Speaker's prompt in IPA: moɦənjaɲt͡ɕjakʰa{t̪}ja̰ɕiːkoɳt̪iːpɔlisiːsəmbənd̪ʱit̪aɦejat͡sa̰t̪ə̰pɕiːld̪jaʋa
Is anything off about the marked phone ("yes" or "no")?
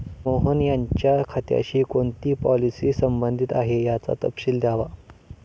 no